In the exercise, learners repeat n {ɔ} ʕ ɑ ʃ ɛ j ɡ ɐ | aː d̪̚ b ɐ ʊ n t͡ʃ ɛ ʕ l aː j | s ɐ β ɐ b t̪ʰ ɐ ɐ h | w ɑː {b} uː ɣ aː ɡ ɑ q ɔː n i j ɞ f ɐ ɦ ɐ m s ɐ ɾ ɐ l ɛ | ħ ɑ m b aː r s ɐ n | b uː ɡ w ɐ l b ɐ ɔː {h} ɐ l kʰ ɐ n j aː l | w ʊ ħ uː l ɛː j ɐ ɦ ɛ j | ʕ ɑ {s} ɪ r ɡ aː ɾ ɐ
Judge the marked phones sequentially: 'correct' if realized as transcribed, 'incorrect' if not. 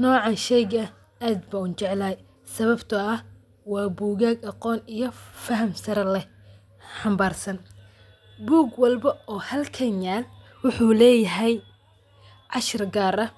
incorrect: ɔː, correct, correct, incorrect: ʃ

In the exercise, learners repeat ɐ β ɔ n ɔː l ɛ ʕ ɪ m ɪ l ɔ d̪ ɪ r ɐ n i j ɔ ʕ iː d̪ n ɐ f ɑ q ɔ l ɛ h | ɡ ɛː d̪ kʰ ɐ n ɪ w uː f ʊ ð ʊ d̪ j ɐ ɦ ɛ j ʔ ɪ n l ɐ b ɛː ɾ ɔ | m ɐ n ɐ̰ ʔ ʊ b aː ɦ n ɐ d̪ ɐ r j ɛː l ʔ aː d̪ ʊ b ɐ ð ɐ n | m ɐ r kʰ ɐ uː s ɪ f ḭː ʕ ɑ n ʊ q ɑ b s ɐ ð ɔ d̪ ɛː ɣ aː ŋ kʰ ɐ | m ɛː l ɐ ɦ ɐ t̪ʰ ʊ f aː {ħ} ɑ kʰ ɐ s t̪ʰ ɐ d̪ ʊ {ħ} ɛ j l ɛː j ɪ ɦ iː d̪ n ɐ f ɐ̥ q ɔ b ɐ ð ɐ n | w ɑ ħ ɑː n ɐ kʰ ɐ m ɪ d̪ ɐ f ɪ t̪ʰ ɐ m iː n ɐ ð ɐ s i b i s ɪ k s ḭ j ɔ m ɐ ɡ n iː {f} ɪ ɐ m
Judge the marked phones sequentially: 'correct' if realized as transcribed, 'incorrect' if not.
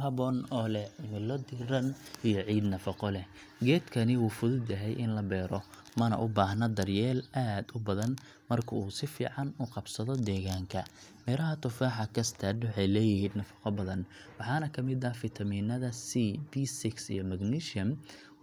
correct, correct, incorrect: ʃ

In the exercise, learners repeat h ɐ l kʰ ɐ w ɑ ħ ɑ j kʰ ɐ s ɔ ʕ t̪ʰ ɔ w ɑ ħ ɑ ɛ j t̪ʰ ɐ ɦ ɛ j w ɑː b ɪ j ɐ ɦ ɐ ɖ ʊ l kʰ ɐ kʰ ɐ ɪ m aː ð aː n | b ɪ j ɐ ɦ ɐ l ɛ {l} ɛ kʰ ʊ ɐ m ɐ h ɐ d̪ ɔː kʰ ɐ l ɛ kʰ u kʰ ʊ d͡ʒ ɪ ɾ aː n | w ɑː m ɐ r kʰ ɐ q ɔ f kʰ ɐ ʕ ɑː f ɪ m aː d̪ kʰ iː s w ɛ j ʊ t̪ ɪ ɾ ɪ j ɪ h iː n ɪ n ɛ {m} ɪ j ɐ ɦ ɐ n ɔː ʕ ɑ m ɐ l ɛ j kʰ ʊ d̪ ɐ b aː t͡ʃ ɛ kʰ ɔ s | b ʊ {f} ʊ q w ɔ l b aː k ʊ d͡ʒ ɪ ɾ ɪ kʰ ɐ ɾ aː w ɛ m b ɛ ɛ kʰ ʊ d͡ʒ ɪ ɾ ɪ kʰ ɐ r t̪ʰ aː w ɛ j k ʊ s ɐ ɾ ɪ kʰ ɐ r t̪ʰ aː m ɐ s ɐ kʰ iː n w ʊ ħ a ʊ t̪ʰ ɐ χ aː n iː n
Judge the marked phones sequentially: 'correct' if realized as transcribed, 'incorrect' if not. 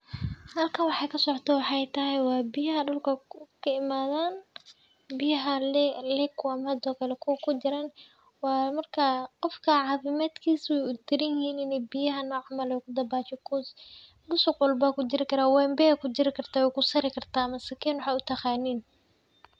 correct, incorrect: b, incorrect: s

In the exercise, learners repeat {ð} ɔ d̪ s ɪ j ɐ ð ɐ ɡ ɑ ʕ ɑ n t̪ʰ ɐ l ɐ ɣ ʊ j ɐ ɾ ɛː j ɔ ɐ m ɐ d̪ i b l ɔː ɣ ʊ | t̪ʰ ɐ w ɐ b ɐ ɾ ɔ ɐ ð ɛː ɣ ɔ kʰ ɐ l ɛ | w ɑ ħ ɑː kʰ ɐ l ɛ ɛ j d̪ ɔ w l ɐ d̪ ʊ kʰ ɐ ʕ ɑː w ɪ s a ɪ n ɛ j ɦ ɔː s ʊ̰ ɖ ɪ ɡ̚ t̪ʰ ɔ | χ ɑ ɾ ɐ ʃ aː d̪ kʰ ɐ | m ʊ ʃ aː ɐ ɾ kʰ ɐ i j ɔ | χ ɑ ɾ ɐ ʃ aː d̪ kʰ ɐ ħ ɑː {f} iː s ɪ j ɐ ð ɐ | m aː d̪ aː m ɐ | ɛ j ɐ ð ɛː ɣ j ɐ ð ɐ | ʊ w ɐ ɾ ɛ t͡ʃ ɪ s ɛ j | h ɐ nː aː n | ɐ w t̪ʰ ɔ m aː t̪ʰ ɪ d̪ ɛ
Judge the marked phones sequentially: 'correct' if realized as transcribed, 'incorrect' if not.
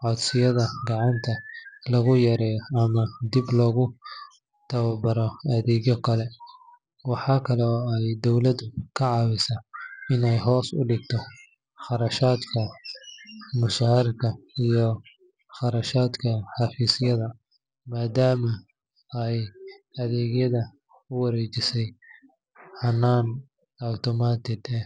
incorrect: ʕ, correct

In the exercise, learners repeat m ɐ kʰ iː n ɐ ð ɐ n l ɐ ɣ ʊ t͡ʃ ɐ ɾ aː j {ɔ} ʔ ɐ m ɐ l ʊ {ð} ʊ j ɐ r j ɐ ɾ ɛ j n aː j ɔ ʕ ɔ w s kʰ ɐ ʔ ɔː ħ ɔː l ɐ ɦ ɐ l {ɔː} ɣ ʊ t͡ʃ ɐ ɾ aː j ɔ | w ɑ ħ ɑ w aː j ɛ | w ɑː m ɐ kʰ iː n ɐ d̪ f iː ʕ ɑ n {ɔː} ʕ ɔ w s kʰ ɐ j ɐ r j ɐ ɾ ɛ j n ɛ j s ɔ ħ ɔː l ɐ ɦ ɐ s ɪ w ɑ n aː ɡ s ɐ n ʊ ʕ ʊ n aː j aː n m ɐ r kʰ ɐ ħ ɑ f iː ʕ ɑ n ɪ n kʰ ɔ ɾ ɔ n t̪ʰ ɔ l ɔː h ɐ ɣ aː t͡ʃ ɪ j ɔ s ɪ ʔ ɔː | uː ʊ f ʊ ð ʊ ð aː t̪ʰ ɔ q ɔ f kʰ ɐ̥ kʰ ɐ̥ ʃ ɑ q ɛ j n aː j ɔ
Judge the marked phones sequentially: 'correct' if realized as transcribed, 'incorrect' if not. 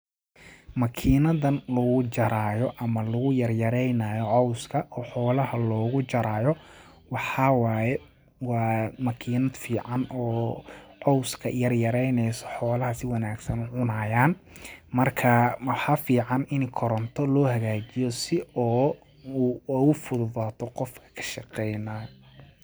correct, incorrect: ɣ, correct, correct

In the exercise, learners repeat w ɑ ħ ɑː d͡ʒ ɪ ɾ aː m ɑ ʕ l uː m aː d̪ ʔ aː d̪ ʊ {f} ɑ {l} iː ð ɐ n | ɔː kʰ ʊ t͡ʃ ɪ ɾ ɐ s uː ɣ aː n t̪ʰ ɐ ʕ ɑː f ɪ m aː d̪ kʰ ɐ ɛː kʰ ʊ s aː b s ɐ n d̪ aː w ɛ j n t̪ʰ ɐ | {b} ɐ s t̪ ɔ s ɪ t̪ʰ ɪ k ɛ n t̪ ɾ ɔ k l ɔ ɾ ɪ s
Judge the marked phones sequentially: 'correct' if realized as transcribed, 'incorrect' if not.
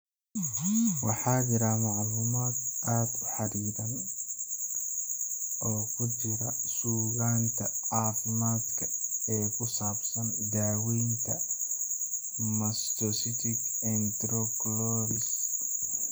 incorrect: ħ, incorrect: ɾ, incorrect: m

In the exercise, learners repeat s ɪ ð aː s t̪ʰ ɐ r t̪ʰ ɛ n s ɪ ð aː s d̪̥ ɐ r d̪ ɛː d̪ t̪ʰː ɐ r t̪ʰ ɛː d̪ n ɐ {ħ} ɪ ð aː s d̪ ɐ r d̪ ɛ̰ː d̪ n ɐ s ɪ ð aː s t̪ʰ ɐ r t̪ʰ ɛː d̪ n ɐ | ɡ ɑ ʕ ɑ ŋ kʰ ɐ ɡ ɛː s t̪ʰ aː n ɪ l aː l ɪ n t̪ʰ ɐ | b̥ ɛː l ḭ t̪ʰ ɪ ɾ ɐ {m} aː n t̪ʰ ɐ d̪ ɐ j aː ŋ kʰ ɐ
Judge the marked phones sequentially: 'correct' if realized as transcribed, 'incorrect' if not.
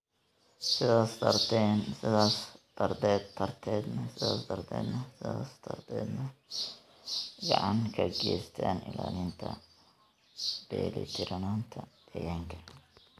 incorrect: s, incorrect: n

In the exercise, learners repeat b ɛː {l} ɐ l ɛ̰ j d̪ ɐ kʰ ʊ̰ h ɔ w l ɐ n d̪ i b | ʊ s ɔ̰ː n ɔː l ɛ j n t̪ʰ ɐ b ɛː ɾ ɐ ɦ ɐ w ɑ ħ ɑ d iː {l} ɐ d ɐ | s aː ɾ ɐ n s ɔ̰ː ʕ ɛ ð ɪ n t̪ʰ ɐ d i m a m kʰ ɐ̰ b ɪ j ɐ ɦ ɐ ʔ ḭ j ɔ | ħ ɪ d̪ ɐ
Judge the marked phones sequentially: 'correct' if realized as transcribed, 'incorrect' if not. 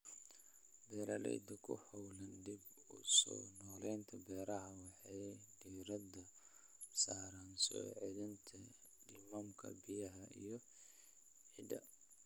incorrect: ɾ, incorrect: ɾ

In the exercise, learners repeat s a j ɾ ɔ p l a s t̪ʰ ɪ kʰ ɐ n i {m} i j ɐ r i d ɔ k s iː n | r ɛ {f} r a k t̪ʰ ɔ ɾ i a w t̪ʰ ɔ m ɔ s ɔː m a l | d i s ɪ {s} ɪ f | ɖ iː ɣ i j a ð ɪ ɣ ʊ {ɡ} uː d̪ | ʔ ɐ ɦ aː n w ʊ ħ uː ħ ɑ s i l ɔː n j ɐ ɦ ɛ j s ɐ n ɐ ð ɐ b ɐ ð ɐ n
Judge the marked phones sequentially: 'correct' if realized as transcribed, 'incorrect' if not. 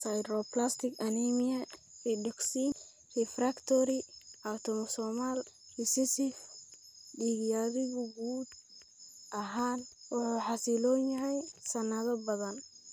correct, correct, correct, correct

